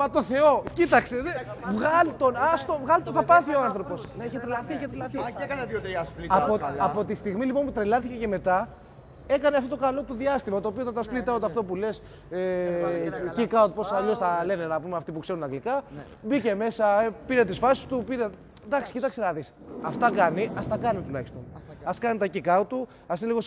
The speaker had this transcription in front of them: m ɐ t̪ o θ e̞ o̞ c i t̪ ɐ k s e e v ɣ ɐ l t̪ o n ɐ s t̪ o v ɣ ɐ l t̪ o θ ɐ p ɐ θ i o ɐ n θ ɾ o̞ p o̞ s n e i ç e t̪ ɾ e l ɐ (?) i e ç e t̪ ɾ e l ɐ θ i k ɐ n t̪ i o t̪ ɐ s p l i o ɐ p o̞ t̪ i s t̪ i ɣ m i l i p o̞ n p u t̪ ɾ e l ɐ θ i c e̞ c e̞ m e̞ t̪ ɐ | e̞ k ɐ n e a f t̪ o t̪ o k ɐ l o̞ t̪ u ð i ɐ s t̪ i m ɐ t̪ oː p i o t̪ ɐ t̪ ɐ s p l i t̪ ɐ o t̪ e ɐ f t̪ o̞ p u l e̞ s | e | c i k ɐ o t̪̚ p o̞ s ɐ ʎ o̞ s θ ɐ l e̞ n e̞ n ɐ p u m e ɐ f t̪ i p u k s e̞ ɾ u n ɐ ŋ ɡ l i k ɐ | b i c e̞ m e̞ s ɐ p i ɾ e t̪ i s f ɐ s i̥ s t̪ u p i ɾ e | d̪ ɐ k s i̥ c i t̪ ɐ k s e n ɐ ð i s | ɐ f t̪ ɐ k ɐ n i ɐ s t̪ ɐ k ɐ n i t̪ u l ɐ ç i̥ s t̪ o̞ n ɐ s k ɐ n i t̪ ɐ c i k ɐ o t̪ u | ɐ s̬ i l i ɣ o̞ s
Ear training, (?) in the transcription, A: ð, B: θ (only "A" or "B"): B